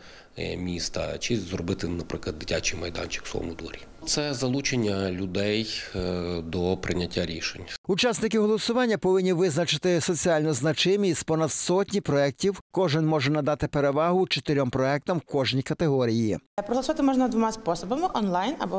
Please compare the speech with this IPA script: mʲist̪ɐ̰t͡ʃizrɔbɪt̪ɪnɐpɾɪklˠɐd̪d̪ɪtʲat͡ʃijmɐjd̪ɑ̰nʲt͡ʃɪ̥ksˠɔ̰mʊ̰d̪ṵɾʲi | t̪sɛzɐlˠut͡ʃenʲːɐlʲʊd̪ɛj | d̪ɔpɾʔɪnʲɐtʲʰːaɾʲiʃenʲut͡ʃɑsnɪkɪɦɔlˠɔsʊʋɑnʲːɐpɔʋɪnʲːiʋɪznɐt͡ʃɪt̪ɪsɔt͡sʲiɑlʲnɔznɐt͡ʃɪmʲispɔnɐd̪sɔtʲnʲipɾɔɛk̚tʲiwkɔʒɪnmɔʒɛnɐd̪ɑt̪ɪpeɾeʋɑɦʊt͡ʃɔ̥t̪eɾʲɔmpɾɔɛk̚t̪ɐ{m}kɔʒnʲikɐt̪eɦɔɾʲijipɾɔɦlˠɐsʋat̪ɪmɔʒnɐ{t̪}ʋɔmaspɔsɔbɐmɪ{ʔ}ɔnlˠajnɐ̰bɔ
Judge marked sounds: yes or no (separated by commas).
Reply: yes, no, yes